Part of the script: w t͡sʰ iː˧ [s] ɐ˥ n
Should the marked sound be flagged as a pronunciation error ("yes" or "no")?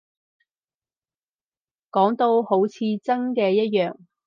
yes